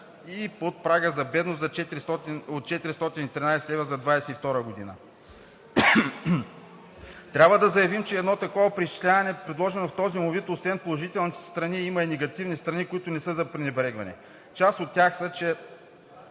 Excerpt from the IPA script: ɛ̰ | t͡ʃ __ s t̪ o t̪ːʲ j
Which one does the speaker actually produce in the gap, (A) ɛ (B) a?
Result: B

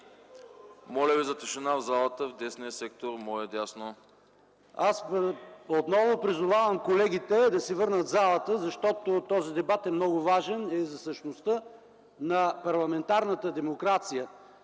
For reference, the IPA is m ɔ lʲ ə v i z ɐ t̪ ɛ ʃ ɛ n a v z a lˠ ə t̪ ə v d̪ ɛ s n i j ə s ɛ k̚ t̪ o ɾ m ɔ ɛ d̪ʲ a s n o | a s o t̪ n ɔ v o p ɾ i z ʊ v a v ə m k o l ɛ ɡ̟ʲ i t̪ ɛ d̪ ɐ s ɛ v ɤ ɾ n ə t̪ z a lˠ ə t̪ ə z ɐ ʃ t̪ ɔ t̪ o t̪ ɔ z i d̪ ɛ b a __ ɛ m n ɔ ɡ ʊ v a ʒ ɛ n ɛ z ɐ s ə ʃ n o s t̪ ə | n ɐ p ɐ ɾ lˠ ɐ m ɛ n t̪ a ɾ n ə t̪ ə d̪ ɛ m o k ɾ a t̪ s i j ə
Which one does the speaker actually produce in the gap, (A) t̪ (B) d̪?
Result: A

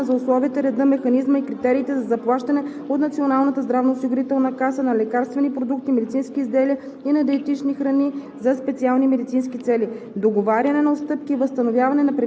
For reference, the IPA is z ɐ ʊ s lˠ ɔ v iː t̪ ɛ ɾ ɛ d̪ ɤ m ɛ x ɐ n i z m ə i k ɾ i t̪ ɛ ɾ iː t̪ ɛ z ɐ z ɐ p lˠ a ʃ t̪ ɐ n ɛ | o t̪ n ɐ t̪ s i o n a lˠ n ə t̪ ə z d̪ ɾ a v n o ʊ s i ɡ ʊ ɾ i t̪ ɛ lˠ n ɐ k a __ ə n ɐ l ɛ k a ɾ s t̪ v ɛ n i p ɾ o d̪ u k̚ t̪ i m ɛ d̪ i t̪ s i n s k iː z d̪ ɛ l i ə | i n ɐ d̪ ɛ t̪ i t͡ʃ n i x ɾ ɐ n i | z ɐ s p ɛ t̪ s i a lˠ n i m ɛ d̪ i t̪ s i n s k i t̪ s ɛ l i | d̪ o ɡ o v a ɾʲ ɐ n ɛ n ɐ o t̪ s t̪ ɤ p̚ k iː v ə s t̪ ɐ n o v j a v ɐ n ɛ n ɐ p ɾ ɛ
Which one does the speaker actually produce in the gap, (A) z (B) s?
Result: B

